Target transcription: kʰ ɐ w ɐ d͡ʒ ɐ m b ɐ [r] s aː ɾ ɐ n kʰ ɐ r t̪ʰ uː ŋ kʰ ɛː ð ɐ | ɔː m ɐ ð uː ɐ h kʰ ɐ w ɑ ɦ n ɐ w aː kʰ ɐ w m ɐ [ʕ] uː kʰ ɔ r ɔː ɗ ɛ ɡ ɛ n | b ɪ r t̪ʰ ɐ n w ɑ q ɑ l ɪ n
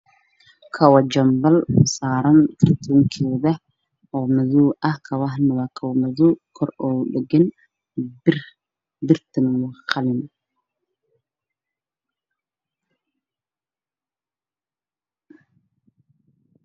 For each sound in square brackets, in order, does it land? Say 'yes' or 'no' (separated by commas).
no, no